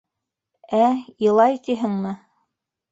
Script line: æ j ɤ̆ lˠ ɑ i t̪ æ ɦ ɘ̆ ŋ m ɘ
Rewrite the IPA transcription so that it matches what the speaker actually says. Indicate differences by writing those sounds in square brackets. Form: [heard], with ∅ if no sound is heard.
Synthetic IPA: æ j ɤ̆ lˠ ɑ [j] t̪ [i] ɦ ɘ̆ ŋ m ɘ